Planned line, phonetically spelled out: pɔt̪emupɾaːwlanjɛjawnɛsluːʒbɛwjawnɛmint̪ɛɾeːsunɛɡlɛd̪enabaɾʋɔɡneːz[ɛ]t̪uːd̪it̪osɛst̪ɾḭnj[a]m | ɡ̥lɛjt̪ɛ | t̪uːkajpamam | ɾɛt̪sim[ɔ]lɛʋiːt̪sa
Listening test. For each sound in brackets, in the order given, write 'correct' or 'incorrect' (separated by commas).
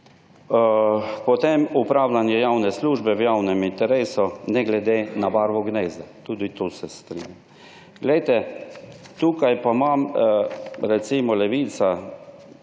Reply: incorrect, correct, correct